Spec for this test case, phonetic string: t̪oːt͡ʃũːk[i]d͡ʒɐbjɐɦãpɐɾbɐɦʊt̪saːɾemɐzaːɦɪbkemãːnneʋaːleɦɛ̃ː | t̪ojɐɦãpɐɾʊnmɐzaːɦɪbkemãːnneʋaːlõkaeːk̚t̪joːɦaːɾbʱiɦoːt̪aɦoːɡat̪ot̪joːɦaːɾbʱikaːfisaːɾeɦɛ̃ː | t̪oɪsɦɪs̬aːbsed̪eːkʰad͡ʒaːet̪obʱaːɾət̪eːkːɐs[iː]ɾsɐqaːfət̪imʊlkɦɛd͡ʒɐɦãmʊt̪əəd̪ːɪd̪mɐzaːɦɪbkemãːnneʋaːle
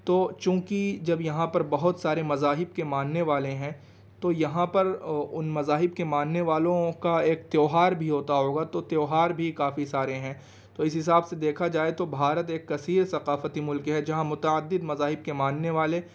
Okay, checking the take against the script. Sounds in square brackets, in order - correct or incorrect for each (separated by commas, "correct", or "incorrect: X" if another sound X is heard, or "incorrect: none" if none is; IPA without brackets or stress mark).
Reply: correct, correct